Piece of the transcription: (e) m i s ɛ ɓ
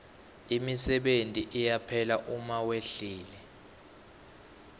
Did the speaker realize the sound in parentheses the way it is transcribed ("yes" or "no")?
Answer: no